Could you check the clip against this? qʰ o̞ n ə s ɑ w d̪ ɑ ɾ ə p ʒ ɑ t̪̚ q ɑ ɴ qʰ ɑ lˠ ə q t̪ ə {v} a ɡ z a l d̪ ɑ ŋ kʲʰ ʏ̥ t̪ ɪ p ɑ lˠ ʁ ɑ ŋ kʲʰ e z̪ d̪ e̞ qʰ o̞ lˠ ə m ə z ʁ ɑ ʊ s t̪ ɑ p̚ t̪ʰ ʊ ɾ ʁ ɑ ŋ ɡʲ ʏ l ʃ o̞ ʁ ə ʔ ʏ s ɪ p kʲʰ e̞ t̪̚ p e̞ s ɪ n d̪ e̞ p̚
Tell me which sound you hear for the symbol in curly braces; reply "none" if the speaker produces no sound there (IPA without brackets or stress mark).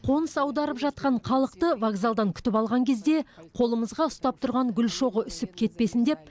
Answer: v